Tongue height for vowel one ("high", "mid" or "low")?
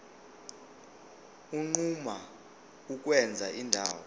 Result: high